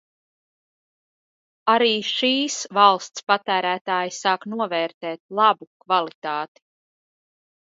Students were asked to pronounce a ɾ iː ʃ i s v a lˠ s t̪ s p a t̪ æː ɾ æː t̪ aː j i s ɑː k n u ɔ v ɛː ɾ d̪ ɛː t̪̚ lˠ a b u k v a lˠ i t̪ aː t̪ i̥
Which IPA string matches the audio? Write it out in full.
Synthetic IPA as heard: a ɾ iː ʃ iː s v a lˠ s t̪ s p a t̪ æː ɾ æː t̪ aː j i s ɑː k n u ɔ v ɛː ɾ t̪ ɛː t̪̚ lˠ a b u k v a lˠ i t̪ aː t̪ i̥